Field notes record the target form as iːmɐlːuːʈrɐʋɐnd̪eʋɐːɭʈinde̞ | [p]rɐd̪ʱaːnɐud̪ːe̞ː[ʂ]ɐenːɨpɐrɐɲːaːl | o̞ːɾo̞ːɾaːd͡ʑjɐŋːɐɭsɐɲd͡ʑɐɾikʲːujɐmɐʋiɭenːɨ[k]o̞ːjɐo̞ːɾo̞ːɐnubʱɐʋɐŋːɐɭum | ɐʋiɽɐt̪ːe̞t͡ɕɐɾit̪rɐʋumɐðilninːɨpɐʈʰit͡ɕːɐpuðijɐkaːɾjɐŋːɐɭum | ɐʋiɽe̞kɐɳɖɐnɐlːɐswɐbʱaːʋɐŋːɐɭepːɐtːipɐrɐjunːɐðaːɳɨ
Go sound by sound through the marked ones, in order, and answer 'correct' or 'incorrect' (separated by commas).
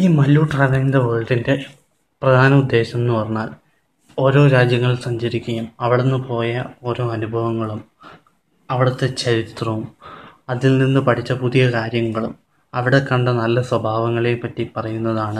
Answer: correct, incorrect, incorrect